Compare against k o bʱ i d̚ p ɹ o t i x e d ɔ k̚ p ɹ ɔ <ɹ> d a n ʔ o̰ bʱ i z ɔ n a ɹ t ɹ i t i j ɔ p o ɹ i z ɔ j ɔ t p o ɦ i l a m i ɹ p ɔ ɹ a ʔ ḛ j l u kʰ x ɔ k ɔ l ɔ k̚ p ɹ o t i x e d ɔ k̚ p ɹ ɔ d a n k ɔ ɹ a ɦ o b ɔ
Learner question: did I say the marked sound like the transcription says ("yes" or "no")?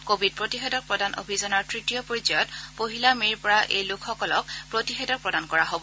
no